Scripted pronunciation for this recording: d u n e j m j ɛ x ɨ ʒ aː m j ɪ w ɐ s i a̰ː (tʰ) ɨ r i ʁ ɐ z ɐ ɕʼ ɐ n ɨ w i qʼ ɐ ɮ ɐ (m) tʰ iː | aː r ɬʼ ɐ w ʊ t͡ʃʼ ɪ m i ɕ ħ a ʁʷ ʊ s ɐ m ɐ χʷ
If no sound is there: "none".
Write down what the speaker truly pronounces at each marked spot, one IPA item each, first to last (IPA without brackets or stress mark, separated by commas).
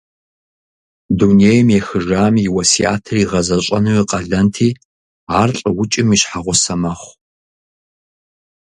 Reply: tʰ, n